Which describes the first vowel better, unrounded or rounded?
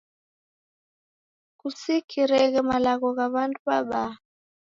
rounded